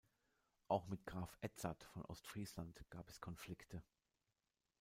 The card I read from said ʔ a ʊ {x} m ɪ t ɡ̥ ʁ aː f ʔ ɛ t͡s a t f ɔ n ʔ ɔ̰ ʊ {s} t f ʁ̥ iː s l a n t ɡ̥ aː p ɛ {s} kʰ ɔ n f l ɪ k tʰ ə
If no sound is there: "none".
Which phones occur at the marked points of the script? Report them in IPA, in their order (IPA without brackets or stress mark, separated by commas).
x, s, s